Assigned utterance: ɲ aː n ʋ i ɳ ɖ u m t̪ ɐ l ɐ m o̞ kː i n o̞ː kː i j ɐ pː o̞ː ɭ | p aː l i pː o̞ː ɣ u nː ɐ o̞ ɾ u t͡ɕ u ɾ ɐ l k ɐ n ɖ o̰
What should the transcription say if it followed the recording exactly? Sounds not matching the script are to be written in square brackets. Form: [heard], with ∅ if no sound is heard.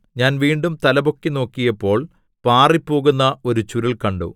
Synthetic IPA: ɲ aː n ʋ [iː] ɳ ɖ u m t̪ ɐ l ɐ [b] o̞ kː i n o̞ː kː i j ɐ pː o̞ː ɭ | p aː [r] i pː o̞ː ɣ u nː ɐ o̞ ɾ u t͡ɕ u ɾ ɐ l k ɐ [ɳ] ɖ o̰